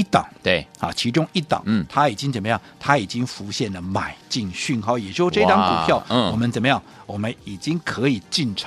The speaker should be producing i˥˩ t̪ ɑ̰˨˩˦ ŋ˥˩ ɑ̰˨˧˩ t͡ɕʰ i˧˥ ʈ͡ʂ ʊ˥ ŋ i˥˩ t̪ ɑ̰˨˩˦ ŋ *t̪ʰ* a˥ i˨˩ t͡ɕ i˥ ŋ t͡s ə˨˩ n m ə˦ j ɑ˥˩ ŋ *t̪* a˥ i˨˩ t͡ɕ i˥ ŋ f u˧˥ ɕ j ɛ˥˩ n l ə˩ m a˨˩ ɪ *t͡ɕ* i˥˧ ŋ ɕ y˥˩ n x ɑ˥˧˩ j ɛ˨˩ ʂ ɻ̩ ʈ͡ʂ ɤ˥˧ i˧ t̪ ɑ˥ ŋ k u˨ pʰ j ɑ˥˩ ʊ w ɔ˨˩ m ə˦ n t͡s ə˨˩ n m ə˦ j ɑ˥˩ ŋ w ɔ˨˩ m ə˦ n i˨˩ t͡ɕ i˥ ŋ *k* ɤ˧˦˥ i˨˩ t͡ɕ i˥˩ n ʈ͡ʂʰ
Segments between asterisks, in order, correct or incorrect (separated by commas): correct, incorrect, correct, incorrect